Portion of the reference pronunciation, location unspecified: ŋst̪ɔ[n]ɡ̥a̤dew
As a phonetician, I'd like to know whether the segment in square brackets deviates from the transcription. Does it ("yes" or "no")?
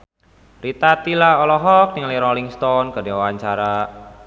no